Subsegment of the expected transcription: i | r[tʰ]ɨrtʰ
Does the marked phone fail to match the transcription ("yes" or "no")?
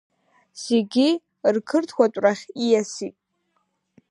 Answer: yes